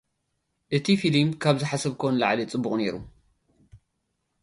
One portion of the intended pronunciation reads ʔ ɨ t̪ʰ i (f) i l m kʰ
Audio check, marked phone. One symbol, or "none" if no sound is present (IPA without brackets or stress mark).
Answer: f